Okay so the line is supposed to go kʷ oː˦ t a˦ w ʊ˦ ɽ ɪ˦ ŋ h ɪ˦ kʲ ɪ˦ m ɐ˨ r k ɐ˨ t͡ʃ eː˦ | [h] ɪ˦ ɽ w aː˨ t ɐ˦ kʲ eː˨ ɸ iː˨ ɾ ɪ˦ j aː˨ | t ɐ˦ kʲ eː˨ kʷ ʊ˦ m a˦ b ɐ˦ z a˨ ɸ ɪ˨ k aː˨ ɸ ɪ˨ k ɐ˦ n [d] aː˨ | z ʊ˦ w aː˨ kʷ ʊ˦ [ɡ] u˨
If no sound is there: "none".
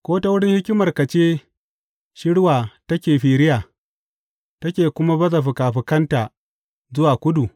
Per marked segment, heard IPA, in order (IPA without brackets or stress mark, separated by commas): ʃ, t, d